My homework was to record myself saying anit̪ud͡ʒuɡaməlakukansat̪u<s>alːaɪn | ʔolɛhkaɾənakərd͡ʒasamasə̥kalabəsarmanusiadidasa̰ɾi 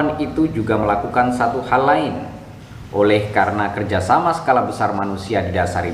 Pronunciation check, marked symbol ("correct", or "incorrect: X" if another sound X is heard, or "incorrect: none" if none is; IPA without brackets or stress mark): incorrect: h